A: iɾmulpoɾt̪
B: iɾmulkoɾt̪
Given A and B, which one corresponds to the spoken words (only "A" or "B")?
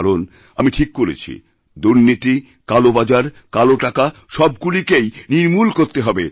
B